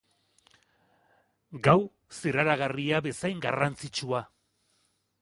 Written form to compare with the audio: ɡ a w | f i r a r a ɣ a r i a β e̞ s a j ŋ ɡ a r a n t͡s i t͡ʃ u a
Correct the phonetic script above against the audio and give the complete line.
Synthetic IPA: ɡ a w | s i r a ɾ a ɣ a r i a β e̞ s a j ŋ ɡ a r a n t͡s i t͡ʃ u a